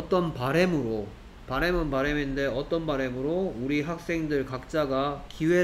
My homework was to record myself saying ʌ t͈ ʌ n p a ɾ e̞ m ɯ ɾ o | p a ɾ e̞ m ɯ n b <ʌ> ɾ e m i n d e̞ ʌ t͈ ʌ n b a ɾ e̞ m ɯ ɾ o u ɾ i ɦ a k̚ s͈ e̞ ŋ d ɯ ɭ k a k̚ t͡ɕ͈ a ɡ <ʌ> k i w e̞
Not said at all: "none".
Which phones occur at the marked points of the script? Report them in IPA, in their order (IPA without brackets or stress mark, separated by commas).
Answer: a, a